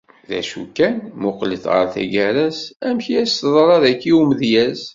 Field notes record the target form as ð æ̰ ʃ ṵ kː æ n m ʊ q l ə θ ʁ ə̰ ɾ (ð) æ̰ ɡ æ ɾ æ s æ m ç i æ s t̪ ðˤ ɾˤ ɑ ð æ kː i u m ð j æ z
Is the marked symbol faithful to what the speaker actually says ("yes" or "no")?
no